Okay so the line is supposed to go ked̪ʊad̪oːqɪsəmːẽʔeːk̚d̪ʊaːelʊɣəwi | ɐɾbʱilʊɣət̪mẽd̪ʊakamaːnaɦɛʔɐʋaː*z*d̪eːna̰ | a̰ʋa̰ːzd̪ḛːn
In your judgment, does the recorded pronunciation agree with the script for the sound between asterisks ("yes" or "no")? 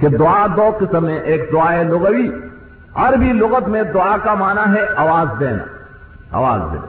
yes